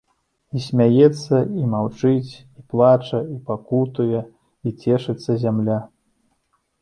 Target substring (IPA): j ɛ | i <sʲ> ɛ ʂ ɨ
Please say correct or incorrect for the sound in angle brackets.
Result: incorrect